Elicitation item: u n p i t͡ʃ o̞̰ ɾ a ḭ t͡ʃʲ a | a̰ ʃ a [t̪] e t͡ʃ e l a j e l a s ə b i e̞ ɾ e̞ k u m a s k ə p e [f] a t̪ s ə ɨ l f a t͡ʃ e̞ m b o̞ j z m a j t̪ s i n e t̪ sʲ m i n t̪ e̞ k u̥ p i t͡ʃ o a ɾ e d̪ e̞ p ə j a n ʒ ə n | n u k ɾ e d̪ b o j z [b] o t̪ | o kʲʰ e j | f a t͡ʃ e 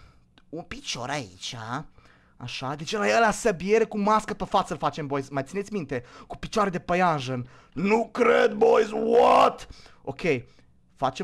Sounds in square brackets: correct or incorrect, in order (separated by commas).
incorrect, correct, incorrect